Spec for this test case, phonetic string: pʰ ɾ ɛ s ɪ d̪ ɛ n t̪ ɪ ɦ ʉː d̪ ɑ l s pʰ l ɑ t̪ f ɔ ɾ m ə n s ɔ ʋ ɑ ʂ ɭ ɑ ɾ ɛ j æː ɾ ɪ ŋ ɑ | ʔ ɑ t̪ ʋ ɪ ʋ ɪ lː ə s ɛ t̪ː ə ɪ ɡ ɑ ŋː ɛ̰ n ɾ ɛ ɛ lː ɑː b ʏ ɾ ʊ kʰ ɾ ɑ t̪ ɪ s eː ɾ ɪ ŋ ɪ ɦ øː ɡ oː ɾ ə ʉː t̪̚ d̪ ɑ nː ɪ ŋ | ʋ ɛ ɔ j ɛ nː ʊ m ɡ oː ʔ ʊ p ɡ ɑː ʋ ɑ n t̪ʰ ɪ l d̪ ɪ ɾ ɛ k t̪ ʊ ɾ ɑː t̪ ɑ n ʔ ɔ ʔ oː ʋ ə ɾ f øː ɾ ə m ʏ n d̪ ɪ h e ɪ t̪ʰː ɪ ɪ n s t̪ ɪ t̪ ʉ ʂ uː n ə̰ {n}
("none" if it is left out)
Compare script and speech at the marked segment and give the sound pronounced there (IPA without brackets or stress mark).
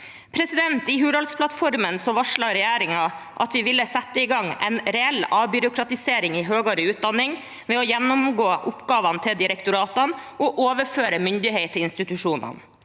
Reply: n